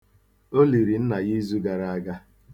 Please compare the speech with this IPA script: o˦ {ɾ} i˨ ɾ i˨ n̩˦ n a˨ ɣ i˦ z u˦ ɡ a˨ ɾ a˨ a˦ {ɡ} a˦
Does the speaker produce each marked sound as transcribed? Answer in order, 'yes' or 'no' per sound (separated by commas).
no, yes